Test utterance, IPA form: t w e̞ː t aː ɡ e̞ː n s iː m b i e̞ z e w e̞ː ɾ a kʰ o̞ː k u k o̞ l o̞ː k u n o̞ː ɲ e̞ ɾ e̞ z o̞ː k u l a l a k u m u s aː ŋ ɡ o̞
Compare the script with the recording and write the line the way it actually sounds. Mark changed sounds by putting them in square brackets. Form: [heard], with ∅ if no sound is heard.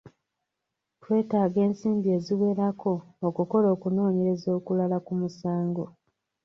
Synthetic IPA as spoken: t w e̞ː t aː ɡ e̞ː n s iː m b i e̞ z [i] w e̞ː ɾ a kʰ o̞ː k u k o̞ l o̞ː k u n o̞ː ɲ e̞ ɾ e̞ z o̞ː k u l a l a k u m u s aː ŋ ɡ o̞